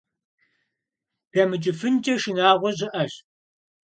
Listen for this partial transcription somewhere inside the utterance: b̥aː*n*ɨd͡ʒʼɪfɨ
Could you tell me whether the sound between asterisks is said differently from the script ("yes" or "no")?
yes